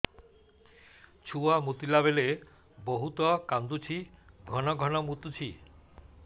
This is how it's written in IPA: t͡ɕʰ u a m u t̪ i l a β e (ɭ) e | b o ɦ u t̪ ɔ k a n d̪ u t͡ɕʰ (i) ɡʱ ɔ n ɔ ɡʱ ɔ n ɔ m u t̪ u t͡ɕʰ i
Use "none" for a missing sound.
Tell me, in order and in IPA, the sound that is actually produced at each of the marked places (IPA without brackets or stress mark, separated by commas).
l, i